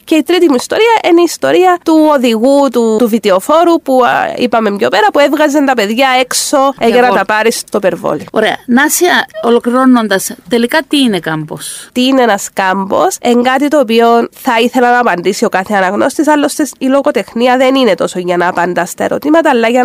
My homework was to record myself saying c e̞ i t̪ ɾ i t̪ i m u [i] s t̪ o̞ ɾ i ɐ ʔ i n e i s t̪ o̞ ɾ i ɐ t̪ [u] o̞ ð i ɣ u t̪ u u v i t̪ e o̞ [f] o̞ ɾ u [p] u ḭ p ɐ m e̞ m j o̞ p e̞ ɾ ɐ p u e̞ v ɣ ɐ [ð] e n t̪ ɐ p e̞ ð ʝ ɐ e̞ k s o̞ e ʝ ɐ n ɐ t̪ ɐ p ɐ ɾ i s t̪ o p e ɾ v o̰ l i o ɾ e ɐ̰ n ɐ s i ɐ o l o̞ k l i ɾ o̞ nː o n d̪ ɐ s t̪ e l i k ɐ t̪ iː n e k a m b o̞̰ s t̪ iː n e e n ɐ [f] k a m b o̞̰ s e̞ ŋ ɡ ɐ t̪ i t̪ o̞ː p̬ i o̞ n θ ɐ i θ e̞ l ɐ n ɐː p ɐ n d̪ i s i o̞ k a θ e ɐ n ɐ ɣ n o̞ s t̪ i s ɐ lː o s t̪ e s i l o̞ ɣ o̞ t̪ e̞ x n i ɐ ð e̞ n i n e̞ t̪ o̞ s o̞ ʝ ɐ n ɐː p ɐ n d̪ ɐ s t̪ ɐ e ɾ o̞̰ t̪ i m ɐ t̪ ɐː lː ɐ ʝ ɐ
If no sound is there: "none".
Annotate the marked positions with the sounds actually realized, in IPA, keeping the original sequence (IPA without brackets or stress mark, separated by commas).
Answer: i, u, f, p, z, s